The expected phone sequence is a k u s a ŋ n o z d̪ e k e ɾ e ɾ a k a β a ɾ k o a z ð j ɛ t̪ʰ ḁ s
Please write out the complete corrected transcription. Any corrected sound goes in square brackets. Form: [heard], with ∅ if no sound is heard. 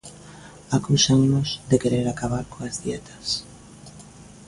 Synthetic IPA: a k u s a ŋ n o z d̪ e k e ɾ e ɾ a k a β a ɾ k o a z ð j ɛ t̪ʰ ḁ s

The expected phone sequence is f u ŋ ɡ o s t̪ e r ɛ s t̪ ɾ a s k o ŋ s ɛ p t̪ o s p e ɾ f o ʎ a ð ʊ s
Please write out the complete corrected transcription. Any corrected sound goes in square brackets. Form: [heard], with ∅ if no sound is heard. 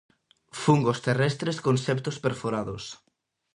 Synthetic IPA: f u ŋ ɡ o s t̪ e r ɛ s t̪ ɾ [e] s k o [n] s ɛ p t̪ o s p e ɾ f o [ɾ] a ð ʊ s

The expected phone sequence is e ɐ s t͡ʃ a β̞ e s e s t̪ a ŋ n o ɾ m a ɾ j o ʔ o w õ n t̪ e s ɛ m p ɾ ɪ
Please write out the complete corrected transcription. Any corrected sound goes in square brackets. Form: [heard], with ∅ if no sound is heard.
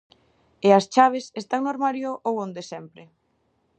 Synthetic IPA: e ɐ s t͡ʃ a β̞ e s e s t̪ a ŋ n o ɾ m a ɾ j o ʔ o w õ n [d̪] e s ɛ m p ɾ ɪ

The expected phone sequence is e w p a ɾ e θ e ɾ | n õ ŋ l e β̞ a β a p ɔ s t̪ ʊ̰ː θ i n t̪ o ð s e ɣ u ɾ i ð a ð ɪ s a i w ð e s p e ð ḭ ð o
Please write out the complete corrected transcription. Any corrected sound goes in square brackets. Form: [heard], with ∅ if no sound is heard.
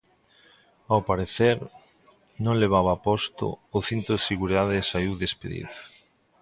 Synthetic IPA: [a] w p a ɾ e θ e ɾ | n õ ŋ l e β̞ a β a p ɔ s t̪ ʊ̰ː θ i n t̪ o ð s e ɣ u ɾ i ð a ð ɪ s a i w ð e s p e ð ḭ ð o

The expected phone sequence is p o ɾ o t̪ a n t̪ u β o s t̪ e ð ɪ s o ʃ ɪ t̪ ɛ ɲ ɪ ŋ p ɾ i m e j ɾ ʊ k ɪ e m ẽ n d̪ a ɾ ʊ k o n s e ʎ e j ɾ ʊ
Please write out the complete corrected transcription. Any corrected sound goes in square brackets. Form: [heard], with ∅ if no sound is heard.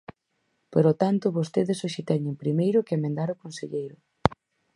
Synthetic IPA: p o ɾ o t̪ a n t̪ [ʊ] β o s t̪ e ð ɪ s o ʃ ɪ t̪ ɛ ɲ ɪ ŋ p ɾ i m e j ɾ ʊ k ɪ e m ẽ n d̪ a ɾ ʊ k o n s e ʎ e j ɾ ʊ

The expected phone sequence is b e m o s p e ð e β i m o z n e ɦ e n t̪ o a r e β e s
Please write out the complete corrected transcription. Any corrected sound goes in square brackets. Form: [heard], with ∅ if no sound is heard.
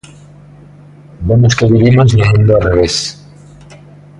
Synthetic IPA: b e m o s [k] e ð [i] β i m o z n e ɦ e n [d̪] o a r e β e s

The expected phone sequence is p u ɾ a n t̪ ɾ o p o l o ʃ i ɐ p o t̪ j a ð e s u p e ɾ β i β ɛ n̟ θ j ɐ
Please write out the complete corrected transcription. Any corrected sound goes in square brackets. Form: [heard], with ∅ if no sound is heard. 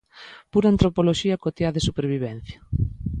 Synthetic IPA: p u ɾ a n t̪ ɾ o p o l o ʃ i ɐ [k] o t̪ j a ð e s u p e ɾ β i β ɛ n̟ θ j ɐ

